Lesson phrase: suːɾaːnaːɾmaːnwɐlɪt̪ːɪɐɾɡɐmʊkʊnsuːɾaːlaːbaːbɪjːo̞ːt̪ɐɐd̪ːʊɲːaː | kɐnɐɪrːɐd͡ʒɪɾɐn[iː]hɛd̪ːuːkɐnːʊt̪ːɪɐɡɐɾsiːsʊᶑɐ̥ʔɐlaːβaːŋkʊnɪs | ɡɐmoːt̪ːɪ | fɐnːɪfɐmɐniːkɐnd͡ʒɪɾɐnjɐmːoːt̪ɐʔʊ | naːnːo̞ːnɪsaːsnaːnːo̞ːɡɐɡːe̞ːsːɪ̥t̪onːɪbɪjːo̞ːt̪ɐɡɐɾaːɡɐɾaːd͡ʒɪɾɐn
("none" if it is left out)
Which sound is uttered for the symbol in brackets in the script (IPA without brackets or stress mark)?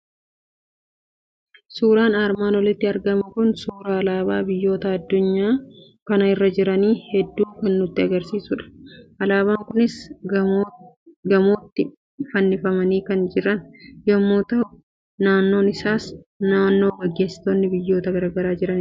iː